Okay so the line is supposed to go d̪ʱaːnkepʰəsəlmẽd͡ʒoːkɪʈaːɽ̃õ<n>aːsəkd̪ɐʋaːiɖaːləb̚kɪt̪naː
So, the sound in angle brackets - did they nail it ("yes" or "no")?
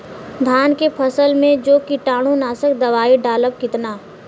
yes